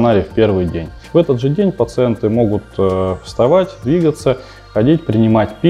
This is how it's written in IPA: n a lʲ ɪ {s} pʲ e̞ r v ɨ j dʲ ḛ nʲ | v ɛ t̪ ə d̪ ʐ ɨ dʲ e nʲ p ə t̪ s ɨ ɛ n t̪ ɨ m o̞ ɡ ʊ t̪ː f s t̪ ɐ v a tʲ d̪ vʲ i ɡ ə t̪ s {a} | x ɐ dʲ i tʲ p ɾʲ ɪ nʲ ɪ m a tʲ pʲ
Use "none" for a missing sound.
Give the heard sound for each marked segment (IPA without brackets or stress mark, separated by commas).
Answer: f, ə